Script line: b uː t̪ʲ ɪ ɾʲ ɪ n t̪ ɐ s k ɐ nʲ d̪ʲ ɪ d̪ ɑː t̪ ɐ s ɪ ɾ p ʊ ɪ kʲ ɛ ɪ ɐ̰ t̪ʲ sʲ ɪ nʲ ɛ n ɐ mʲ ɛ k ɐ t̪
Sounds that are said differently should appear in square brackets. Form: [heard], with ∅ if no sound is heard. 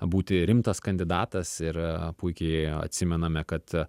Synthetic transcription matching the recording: b uː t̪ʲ ɪ ɾʲ ɪ [m] t̪ ɐ s k ɐ nʲ d̪ʲ ɪ d̪ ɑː t̪ ɐ s ɪ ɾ p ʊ ɪ kʲ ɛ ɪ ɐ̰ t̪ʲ sʲ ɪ [mʲ] ɛ n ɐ mʲ ɛ k ɐ t̪